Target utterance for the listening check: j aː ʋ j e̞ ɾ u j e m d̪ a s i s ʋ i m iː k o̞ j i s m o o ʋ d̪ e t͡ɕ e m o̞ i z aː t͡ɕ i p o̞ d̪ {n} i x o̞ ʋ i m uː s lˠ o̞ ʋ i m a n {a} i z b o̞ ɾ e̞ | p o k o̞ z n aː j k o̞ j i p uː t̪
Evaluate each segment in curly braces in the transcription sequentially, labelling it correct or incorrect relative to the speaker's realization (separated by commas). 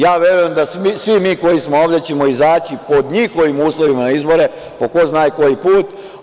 incorrect, correct